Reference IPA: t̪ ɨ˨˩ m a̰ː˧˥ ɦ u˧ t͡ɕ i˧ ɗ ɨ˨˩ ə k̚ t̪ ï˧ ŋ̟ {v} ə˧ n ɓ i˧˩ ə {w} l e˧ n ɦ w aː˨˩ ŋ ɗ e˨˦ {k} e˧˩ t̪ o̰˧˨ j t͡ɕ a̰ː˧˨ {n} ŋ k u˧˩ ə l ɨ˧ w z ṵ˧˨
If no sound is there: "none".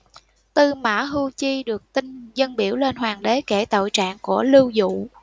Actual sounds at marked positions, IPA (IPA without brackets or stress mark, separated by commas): z, w, k, none